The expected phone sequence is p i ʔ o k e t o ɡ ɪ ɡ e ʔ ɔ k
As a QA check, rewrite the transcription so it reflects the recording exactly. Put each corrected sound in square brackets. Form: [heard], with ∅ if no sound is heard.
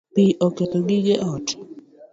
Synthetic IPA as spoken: p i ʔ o k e t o ɡ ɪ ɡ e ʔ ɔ [t]

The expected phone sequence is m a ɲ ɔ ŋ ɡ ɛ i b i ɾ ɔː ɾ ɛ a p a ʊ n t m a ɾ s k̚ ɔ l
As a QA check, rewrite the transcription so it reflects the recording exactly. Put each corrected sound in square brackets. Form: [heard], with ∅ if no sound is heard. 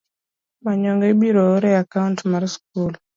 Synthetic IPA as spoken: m a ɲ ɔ ŋ ɡ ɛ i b i ɾ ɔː ɾ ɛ a [k] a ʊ n t m a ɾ s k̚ [u] l

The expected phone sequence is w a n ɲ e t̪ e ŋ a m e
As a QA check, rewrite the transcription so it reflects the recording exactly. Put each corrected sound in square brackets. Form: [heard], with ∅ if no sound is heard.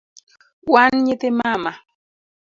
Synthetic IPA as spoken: w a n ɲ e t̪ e [m] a m [a]

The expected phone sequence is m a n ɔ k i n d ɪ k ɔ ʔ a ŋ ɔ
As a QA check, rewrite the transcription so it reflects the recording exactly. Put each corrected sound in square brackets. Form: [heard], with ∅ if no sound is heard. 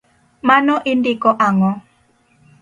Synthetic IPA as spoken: m a n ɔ [ʔ] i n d [i] k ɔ ʔ a ŋ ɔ

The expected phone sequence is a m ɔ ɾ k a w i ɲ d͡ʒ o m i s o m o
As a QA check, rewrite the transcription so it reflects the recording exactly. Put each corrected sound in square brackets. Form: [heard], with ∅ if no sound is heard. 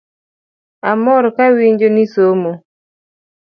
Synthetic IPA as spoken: a m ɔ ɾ k a w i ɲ d͡ʒ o [n] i s o m o

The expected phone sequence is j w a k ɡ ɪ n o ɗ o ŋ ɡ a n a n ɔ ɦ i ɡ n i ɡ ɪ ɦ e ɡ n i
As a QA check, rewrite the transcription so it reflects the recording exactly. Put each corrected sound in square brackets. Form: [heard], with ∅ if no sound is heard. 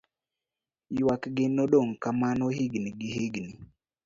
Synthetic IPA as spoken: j w a k ɡ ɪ n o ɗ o ŋ [k] a [m] a n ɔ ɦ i ɡ n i ɡ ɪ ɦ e ɡ n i

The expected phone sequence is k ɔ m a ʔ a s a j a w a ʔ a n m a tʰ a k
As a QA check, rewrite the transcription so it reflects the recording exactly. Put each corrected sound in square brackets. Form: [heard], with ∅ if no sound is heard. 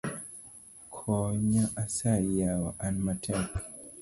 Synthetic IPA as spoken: [kʰ] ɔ [ɲ] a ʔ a s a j a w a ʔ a n m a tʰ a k

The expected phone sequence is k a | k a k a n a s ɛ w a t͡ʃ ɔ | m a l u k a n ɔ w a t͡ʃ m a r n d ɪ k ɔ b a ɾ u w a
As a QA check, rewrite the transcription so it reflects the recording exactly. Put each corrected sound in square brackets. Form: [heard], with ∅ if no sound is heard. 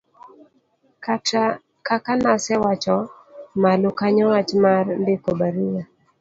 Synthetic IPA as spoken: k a | k a k a n a s ɛ w a t͡ʃ ɔ | m a l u k a [ɲ] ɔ w a t͡ʃ m a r n d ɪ k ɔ b a ɾ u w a

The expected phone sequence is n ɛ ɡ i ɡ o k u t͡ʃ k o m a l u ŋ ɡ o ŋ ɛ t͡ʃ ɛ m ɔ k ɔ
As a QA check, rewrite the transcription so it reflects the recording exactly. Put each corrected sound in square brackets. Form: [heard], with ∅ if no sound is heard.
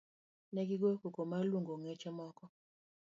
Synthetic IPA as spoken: n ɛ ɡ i ɡ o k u [∅] k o m a l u ŋ ɡ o ŋ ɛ t͡ʃ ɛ m ɔ k ɔ

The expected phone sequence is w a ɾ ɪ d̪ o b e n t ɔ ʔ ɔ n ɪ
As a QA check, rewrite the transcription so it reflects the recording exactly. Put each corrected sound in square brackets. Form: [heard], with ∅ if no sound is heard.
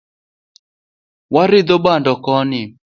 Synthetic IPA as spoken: w a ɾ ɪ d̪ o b [a] n [d] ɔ [k] ɔ n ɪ

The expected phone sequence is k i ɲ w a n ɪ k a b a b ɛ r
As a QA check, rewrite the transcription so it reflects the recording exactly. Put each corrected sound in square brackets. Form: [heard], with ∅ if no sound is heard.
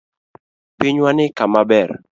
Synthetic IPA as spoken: [p] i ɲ w a n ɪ k a [m] a b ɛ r

